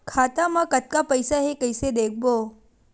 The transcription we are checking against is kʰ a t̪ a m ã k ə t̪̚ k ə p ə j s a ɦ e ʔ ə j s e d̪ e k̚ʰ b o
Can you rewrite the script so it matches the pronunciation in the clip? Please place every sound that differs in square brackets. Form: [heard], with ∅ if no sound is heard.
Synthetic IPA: kʰ a t̪ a m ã k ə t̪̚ k [a] p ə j s a ɦ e [k] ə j s e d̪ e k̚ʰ b o

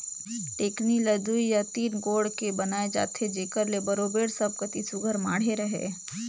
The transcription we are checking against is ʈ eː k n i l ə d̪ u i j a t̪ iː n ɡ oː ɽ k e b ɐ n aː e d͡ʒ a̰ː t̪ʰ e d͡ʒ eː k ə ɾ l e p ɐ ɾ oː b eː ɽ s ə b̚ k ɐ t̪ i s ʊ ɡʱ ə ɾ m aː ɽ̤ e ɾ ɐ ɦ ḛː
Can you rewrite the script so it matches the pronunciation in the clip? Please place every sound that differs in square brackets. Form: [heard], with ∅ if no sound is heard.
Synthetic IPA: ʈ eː k n i l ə d̪ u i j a t̪ iː n ɡ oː ɽ k e b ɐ n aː e d͡ʒ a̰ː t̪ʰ e d͡ʒ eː k ə ɾ l e [b] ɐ ɾ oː b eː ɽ s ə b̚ k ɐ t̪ i s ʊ ɡʱ ə ɾ m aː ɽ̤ e ɾ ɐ ɦ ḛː

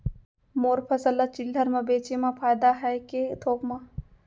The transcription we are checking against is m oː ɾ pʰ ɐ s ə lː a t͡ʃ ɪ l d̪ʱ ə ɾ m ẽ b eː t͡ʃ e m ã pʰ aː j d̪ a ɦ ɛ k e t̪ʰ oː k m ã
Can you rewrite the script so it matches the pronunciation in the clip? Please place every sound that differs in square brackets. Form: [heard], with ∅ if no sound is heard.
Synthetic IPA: m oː ɾ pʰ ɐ s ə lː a t͡ʃ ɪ l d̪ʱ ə ɾ m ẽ b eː t͡ʃ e m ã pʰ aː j d̪ a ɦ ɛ k e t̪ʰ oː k m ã

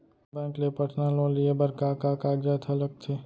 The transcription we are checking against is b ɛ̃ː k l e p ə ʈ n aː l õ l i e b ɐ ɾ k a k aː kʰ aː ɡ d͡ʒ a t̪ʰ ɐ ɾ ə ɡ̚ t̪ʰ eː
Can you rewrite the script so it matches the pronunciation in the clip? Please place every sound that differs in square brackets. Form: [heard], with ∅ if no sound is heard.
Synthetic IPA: b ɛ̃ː k l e p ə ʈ n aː l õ l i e b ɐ ɾ k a k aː [k] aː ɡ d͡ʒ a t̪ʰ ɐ [l] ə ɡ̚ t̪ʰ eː

